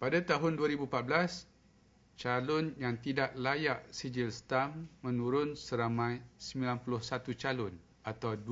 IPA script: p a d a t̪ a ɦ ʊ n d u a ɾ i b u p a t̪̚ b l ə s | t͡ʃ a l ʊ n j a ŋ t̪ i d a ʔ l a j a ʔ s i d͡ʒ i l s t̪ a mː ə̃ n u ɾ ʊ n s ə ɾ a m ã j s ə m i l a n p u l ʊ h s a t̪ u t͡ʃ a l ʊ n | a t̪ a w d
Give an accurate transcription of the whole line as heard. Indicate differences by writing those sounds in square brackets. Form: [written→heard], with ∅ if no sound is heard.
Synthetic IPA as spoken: p a d a t̪ a ɦ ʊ n d u a ɾ i b u p a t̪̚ b l [ə→a] s | t͡ʃ a l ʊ n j a ŋ t̪ i d a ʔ l a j a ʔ s i d͡ʒ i l s t̪ a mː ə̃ n u ɾ ʊ n s ə ɾ a m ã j s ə m i l a n p u l ʊ h s a t̪ u t͡ʃ a l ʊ n | a t̪ a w d